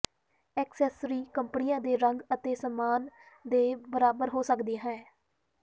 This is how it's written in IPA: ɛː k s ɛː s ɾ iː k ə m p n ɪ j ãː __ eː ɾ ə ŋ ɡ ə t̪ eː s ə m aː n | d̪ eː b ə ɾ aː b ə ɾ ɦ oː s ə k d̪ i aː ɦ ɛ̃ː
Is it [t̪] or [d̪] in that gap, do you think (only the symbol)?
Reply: d̪